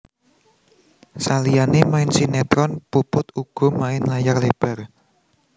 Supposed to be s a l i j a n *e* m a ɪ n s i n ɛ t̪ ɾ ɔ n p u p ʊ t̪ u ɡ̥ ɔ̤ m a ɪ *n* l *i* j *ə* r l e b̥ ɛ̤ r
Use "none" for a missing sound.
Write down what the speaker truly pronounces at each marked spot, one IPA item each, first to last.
e, n, a, a

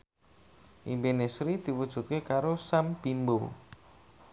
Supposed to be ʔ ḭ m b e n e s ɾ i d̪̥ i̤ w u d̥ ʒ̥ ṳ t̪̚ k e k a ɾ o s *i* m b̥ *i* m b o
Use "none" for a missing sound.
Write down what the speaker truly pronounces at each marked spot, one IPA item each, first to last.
a, i

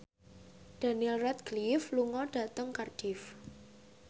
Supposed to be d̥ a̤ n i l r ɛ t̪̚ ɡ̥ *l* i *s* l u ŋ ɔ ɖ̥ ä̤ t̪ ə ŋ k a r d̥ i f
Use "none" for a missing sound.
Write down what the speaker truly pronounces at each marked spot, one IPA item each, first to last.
l, f

